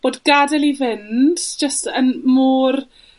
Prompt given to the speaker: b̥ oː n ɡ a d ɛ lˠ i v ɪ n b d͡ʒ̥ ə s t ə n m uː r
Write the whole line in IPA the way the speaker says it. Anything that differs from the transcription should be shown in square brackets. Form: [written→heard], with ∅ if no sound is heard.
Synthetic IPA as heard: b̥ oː [n→d] ɡ a d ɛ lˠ i v ɪ n [b→d] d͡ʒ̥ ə s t ə n m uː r